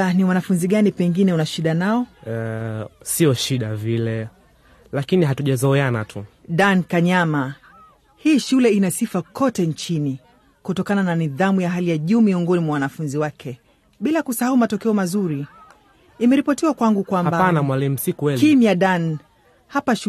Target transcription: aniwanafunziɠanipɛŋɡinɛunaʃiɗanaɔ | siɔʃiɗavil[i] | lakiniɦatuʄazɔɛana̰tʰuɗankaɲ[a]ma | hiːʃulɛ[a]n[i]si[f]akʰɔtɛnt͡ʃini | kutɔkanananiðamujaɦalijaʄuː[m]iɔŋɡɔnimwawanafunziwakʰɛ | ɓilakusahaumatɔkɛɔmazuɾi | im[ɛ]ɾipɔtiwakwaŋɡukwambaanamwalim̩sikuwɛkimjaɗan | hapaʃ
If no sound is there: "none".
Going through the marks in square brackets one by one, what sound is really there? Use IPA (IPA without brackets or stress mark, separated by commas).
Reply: ɛ, a, i, a, f, m, ɛ